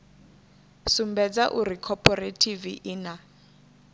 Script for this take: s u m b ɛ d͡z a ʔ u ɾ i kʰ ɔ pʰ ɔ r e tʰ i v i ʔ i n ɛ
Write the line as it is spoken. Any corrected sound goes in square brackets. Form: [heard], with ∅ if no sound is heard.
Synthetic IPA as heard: s u m b ɛ d͡z a ʔ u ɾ i kʰ ɔ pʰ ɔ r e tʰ i v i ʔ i n [a]